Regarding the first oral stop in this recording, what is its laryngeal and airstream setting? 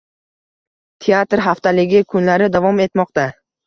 aspirated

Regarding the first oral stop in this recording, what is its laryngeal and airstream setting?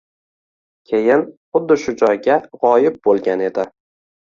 aspirated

